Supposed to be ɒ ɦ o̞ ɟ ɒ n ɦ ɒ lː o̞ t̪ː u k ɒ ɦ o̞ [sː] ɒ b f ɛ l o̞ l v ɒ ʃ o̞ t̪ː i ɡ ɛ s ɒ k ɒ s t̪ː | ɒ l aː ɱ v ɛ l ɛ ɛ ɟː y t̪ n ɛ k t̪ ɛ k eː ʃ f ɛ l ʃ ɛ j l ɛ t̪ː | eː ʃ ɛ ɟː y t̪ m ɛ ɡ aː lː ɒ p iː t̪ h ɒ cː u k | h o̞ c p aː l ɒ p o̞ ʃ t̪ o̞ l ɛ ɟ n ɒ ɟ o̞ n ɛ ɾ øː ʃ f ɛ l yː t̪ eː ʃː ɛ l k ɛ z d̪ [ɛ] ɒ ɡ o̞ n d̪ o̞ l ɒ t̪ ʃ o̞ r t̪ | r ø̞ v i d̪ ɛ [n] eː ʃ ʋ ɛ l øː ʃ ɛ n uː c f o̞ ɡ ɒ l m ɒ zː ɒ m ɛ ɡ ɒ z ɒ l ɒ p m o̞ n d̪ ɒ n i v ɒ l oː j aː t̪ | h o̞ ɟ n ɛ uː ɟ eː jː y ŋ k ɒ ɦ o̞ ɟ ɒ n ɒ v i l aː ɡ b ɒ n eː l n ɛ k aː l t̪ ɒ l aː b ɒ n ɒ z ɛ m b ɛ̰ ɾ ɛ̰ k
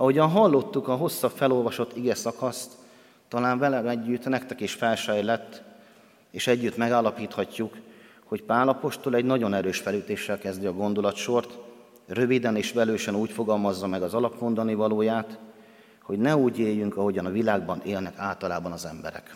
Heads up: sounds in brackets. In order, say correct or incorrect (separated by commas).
correct, incorrect, correct